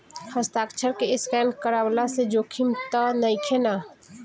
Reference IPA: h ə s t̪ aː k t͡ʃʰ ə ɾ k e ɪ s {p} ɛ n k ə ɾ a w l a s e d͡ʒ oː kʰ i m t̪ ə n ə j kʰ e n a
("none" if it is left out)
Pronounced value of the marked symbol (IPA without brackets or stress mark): k